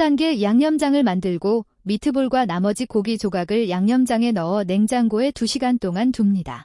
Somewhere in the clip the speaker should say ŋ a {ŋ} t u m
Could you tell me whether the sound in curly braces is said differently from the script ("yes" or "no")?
yes